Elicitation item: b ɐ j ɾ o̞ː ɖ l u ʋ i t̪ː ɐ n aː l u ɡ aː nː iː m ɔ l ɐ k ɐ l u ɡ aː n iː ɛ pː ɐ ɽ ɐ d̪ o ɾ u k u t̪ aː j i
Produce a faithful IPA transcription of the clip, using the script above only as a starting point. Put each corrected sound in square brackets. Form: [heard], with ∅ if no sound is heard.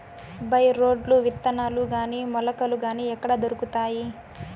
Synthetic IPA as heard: b ɐ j ɾ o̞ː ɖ l u ʋ i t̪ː ɐ n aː l u ɡ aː [n] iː m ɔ l ɐ k ɐ l u ɡ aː n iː ɛ [kː] ɐ ɽ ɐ d̪ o ɾ u k u t̪ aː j i